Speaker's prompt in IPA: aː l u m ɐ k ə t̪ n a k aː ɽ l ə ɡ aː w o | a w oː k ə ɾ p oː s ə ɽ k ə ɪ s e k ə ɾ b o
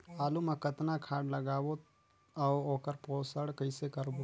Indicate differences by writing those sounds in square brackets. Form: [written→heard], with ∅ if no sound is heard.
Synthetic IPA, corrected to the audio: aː l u m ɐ k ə t̪ n a [k→kʰ] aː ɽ l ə ɡ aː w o | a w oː k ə ɾ p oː s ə ɽ k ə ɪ s e k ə ɾ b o